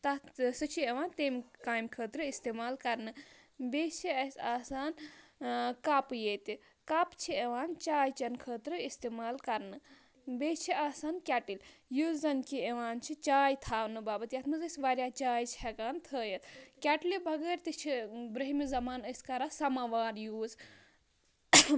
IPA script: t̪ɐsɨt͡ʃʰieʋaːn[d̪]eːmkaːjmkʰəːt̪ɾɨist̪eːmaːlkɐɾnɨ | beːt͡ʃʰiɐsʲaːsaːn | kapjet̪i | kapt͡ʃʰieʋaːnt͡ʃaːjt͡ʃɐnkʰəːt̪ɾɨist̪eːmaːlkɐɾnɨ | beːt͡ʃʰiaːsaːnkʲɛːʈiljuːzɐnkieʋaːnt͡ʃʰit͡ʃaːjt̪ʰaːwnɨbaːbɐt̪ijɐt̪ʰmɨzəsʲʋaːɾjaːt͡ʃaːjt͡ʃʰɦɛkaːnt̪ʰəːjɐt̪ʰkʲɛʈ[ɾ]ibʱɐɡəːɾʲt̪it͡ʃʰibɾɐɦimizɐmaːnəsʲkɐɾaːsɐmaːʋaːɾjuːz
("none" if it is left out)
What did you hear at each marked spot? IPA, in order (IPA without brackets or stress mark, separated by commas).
t̪, l